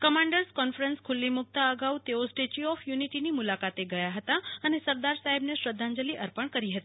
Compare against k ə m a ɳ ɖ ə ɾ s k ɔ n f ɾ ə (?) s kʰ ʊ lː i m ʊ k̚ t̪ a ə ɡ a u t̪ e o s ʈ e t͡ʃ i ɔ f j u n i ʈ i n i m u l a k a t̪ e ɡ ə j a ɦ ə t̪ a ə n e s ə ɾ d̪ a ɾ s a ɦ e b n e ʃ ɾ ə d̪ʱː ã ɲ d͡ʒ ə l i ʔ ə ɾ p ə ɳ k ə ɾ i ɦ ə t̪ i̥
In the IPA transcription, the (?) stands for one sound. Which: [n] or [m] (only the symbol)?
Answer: n